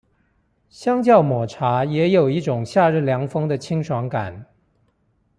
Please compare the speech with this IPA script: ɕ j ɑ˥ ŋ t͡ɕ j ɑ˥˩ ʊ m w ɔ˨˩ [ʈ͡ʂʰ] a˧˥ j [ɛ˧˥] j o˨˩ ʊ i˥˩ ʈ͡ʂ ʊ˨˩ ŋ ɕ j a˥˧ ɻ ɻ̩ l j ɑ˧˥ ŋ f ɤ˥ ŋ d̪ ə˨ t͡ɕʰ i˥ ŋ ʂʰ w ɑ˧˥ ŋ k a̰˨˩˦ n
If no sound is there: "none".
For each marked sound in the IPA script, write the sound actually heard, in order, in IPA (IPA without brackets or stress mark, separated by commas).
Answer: ʈ͡ʂʰ, ɛ˧˥